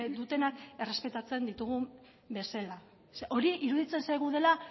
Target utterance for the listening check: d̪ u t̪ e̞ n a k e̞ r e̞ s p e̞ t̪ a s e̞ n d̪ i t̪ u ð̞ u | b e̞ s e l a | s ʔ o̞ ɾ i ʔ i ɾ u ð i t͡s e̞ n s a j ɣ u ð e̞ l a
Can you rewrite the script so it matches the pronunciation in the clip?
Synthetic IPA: d̪ u t̪ e̞ n a k e̞ r e̞ s p e̞ t̪ a t͡s e̞ n d̪ i t̪ u ɣ̞ u | b e̞ s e l a | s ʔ o̞ ɾ i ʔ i ɾ u ð i t͡s e̞ n s a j ɣ u ð e̞ l a